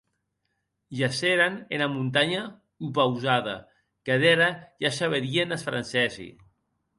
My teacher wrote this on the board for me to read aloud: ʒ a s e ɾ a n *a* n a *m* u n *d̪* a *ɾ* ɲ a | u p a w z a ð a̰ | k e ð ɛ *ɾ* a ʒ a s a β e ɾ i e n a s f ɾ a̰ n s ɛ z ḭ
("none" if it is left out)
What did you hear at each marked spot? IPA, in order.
e, m, t̪, none, ɾ

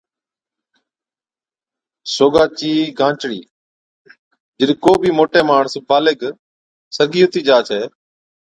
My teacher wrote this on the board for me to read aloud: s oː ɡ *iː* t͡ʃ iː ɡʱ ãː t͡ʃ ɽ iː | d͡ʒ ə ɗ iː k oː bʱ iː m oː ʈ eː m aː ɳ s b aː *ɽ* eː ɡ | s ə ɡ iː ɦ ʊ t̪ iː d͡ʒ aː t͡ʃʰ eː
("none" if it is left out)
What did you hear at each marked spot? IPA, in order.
aː, l

